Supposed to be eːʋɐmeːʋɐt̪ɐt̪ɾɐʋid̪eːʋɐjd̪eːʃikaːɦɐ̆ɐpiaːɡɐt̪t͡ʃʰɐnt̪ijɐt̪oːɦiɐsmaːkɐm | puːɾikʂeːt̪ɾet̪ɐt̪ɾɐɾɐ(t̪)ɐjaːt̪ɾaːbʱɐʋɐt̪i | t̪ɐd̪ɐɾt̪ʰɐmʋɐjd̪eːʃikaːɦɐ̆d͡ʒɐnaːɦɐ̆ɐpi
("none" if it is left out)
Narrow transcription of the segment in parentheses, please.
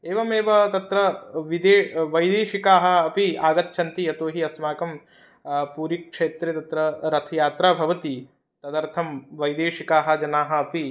t̪ʰ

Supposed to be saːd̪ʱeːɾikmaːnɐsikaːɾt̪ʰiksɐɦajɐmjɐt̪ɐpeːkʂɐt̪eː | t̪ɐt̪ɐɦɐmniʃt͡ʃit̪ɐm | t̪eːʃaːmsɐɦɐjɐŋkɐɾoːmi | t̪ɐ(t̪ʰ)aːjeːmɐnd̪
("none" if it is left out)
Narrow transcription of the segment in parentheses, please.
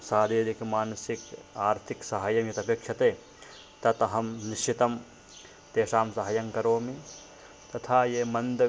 t̪ʰ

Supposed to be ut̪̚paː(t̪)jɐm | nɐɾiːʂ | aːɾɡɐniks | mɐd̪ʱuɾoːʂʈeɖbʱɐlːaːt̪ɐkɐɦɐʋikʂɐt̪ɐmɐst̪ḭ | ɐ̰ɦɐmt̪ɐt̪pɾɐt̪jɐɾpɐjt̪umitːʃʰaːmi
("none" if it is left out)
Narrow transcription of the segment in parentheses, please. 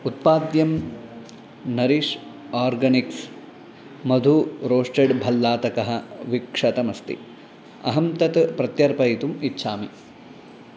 d̪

